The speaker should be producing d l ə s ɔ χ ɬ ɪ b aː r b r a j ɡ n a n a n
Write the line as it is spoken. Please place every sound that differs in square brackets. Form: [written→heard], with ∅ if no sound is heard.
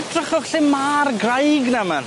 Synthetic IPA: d [l→r] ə [s→χ] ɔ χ ɬ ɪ [b→m] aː r [b→ɡ] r a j ɡ n a [n→m] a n